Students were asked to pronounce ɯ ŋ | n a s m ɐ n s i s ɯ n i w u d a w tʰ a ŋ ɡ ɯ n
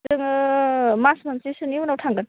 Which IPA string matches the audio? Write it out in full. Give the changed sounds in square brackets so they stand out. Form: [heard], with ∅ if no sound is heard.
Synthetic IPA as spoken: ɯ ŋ | [m] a s m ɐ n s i s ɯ n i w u [n] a w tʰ a ŋ ɡ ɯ n